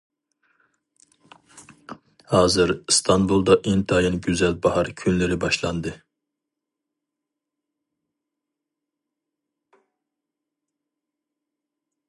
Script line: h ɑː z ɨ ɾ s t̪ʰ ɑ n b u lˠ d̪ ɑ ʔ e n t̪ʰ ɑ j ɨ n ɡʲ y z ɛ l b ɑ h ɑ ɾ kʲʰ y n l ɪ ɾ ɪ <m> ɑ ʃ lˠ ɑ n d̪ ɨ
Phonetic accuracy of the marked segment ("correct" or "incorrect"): incorrect